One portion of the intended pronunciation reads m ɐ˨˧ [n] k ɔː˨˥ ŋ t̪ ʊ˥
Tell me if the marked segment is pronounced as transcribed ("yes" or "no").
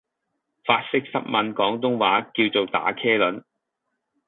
yes